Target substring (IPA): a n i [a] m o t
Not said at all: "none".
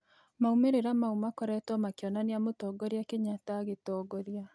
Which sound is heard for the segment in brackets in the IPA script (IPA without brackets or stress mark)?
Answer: a